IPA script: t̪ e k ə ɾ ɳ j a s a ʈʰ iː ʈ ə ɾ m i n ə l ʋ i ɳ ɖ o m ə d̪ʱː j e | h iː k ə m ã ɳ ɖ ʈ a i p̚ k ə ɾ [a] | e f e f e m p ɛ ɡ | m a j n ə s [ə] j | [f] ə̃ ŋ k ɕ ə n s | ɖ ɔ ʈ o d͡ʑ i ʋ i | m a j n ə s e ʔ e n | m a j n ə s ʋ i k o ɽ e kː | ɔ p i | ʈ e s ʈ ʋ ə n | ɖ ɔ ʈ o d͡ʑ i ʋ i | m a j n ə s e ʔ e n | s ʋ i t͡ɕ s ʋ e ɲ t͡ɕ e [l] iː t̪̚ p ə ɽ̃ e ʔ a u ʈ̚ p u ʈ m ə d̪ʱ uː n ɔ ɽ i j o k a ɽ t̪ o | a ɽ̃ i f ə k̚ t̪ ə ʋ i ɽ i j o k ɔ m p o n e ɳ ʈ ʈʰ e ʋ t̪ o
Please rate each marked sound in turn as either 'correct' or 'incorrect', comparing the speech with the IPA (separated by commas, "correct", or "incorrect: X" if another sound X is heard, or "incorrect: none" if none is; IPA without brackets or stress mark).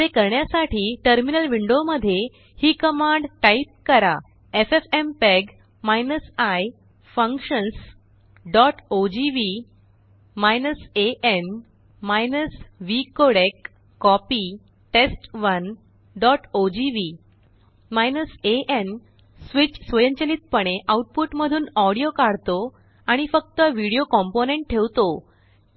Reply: correct, incorrect: a, correct, correct